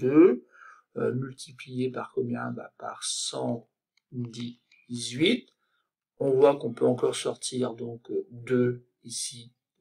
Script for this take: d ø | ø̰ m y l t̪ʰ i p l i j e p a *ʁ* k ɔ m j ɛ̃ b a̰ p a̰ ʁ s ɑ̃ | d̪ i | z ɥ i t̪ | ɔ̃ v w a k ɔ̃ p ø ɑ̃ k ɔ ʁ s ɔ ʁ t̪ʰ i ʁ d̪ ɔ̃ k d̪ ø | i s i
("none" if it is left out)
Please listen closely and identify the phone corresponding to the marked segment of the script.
ʁ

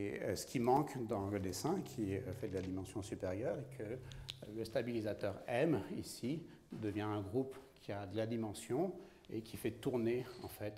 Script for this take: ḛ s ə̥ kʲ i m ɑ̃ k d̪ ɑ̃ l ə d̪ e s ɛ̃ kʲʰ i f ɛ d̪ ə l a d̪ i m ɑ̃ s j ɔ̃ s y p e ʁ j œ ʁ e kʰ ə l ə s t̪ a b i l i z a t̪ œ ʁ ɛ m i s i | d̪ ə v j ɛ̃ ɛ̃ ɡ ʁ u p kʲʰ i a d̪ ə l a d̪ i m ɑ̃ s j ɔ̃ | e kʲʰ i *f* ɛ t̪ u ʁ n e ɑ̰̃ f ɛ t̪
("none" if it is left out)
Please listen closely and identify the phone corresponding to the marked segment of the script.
f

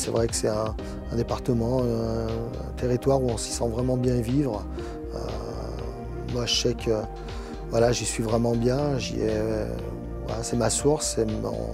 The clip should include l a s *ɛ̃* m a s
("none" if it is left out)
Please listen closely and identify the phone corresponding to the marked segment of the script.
ɛ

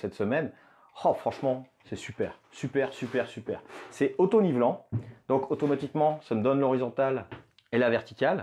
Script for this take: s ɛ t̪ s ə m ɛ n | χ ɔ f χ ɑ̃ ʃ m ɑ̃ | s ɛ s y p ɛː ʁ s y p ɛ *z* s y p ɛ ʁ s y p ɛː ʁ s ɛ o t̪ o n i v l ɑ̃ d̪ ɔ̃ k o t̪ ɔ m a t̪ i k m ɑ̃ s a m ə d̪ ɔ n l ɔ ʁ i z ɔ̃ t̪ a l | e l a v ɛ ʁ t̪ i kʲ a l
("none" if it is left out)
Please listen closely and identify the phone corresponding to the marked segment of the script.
ʁ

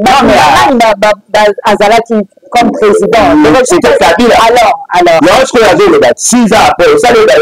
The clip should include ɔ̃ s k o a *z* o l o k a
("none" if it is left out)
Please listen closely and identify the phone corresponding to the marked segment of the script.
z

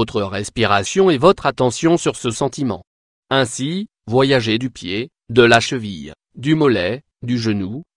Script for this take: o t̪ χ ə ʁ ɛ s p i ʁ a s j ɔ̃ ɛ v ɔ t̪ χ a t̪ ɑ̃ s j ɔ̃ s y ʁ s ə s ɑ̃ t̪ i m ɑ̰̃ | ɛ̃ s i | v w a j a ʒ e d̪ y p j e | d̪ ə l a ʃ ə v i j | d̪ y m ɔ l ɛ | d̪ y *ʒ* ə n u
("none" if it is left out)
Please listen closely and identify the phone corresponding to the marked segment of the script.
ʒ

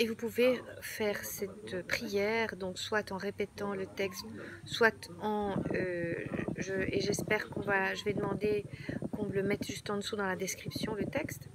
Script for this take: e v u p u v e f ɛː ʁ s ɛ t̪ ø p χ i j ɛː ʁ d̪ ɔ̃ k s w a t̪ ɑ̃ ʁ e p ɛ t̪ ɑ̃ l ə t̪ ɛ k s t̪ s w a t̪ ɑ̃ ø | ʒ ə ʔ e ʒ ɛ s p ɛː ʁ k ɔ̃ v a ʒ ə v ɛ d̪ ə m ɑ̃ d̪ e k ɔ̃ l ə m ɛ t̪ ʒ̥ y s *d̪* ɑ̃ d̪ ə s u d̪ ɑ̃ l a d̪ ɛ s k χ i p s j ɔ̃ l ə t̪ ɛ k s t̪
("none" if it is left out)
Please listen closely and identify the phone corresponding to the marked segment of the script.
t̪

